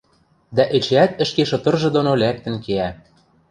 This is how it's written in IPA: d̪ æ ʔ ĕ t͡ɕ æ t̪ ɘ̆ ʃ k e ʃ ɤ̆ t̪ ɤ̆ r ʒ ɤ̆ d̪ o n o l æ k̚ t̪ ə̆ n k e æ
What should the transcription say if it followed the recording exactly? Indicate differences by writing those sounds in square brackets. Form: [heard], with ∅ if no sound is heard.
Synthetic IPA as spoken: d̪ æ ʔ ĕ t͡ɕ æ t̪ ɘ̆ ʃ k e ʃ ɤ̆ t̪ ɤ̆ r ʒ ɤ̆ d̪ o n o l æ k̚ t̪ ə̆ n k e æ

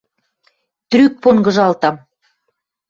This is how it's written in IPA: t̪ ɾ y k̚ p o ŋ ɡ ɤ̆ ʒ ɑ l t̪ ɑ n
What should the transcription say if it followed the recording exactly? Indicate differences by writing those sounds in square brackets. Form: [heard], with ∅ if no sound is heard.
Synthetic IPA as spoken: t̪ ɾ y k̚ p o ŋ ɡ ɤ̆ ʒ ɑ l t̪ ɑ [m]

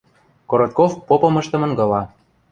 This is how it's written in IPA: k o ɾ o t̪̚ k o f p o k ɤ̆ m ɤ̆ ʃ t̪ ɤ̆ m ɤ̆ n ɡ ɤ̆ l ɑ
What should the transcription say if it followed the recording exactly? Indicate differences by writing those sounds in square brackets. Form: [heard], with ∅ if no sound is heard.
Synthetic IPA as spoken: k o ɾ o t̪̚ k o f p o [p] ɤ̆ m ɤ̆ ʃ t̪ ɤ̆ m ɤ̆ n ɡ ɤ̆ l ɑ

